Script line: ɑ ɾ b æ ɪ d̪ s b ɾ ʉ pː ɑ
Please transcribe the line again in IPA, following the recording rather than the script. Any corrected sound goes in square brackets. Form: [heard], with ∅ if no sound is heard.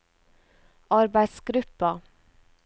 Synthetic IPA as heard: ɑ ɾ b æ ɪ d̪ s [ɡ] ɾ ʉ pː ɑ